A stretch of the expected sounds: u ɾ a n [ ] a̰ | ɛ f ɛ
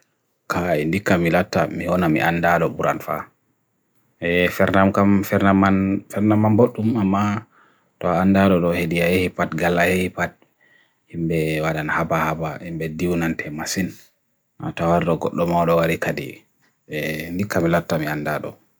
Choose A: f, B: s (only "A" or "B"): A